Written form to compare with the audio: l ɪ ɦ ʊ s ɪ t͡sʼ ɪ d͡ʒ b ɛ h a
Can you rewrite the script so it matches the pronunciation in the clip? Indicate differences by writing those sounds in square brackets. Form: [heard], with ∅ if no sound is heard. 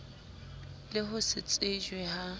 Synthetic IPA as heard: l ɪ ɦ ʊ s ɪ t͡sʼ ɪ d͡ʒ [w] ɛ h a